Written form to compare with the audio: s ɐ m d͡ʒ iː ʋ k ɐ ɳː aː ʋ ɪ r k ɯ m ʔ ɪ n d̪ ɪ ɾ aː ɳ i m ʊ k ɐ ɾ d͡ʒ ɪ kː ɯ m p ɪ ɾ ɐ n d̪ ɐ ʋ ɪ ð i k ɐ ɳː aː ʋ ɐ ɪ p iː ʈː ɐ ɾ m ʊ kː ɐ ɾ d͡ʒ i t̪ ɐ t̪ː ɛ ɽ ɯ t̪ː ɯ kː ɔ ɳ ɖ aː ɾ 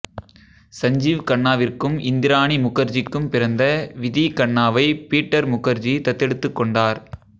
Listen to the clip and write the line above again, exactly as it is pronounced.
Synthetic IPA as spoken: s ɐ ɲ d͡ʒ iː ʋ k ɐ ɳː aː ʋ ɪ r k ɯ m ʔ ɪ n d̪ ɪ ɾ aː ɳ i m ʊ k ɐ ɾ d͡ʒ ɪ kː ɯ m p ɪ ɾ ɐ n d̪ ɐ ʋ ɪ ð i k ɐ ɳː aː ʋ ɐ ɪ p iː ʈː ɐ ɾ m ʊ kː ɐ ɾ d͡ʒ i t̪ ɐ t̪ː ɛ ɽ ɯ t̪ː ɯ kː ɔ ɳ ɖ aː ɾ